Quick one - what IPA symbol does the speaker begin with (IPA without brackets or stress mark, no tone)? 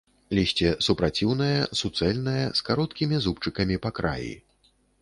lʲ